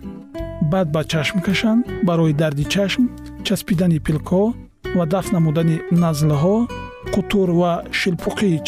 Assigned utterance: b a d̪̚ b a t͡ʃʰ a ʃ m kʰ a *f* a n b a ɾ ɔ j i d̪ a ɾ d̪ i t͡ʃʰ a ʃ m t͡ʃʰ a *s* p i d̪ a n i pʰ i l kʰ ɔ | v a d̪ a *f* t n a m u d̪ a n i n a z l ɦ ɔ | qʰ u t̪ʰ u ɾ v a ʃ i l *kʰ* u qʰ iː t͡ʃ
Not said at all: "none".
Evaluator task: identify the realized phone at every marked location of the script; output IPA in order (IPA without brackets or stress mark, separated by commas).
ʃ, s, f, pʰ